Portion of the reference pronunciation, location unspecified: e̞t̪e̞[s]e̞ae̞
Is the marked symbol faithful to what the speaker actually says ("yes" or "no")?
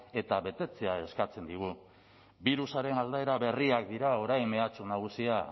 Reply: no